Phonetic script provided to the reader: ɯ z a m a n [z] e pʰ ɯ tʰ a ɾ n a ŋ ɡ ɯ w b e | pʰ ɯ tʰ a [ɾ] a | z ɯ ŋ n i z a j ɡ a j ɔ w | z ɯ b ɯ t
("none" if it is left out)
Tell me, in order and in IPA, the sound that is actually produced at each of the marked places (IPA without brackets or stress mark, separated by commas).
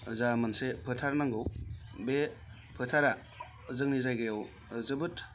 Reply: s, ɾ